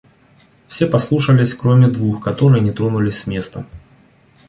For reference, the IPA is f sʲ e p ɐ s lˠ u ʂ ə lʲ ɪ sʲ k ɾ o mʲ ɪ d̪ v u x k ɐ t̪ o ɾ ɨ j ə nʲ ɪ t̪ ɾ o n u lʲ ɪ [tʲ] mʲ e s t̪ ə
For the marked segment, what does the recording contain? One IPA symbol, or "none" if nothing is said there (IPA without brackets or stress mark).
sʲ